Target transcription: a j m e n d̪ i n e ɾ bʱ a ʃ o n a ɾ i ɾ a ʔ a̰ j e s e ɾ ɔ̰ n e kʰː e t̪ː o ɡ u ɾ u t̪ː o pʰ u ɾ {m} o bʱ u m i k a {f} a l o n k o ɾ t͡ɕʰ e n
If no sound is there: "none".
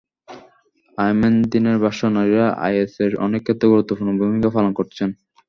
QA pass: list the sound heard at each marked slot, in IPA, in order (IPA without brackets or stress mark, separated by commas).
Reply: n, f